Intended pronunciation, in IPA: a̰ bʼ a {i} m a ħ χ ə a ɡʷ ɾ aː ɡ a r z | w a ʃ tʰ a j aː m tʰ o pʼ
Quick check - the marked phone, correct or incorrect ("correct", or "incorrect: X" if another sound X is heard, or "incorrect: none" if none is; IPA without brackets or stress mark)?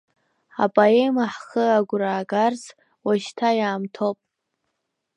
incorrect: e